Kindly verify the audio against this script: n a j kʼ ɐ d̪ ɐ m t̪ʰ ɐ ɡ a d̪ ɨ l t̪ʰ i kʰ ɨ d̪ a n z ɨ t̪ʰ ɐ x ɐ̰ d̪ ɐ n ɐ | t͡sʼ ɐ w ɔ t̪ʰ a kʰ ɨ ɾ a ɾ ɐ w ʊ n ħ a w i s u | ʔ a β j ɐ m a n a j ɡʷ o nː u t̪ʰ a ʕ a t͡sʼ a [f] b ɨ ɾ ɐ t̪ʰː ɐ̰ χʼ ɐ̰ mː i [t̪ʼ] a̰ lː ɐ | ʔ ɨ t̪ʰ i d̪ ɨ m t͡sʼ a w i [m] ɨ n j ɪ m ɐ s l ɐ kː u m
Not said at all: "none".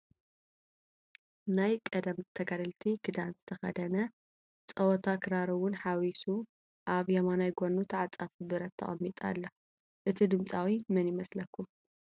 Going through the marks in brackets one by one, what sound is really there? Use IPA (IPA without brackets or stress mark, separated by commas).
f, t̪ʼ, m